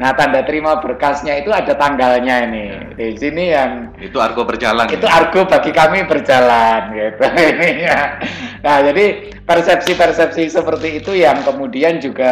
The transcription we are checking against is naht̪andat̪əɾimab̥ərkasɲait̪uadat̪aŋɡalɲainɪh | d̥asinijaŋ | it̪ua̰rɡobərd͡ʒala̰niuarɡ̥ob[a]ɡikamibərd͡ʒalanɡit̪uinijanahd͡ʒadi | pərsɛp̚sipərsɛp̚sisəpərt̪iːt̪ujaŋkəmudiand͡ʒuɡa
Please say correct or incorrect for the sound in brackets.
correct